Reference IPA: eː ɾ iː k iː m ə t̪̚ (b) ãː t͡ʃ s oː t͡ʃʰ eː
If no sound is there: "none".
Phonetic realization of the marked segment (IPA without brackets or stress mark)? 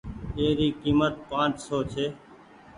p